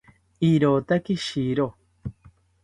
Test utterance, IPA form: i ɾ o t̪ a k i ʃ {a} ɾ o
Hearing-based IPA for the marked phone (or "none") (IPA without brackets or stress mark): i